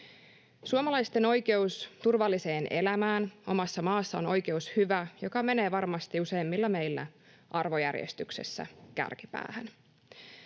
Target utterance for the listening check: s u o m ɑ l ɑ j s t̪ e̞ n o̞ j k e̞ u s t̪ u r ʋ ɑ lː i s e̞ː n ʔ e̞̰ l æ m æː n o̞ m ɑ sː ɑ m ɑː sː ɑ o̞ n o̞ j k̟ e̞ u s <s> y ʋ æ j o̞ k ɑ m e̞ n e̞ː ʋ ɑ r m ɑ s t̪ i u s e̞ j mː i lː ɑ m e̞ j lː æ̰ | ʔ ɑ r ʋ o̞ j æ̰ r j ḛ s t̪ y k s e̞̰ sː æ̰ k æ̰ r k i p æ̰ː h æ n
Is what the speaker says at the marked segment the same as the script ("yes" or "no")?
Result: no